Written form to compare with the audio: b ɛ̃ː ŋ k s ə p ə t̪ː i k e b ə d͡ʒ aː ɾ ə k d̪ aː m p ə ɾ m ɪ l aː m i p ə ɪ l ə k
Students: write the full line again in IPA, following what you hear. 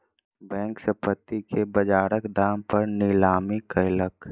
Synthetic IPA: b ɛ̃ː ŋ k s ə p ə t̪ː i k e b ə d͡ʒ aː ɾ ə k d̪ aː m p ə ɾ n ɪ l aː m i k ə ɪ l ə k